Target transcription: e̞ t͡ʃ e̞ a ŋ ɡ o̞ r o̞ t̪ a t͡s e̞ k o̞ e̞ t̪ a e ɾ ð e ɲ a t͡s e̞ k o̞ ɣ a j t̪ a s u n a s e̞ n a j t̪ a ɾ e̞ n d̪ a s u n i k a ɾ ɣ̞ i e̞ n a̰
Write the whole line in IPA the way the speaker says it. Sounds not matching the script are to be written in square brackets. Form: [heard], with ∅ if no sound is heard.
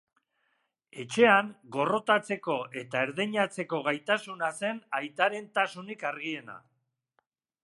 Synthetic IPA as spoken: e̞ t͡ʃ e̞ a ŋ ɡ o̞ r o̞ t̪ a t͡s e̞ k o̞ e̞ t̪ a e ɾ ð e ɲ a t͡s e̞ k o̞ ɣ a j t̪ a s u n a s e̞ n a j t̪ a ɾ e̞ n [t̪] a s u n i k a ɾ ɣ̞ i e̞ n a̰